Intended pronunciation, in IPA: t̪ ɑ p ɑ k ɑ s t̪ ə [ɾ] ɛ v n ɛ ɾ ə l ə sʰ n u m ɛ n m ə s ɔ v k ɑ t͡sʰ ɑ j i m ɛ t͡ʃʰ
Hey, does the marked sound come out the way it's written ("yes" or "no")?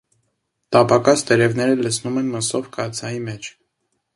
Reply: yes